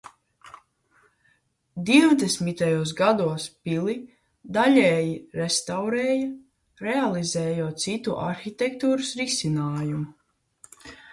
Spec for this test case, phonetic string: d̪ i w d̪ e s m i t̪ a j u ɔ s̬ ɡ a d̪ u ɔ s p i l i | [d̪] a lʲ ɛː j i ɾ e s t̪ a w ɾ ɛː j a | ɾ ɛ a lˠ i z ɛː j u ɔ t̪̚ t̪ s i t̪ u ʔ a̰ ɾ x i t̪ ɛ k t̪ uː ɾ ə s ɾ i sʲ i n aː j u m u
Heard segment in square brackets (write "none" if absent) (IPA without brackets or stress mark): d̪